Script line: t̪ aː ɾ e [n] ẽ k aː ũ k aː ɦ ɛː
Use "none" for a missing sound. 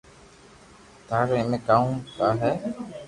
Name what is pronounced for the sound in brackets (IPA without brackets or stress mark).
m